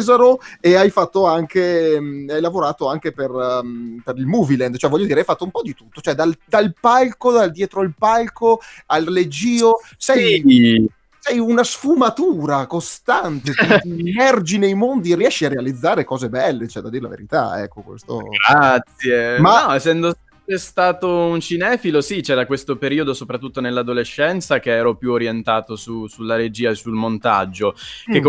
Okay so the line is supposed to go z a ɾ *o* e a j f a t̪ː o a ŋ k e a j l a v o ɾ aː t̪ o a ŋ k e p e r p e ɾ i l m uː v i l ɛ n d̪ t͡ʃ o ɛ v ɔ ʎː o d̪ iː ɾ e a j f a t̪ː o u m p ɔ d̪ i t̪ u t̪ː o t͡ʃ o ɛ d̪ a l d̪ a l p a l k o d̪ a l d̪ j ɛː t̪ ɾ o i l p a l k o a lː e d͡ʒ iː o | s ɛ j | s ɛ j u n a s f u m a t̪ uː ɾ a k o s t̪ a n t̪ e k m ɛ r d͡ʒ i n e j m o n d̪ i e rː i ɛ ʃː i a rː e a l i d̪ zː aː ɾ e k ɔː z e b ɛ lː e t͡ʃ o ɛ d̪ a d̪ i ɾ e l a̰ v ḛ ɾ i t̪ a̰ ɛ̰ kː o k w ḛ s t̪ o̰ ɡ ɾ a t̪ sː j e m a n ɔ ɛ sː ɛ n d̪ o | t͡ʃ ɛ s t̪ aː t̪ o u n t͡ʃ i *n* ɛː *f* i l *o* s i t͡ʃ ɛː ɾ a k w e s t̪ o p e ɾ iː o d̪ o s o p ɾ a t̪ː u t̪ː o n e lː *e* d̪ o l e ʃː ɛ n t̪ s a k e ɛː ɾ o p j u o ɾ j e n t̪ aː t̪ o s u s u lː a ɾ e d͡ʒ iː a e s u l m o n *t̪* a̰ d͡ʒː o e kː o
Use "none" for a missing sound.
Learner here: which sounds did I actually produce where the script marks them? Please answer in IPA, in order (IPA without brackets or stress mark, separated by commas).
o, n, f, o, a, t̪